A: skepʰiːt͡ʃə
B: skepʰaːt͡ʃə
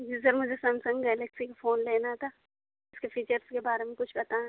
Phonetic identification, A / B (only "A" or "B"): A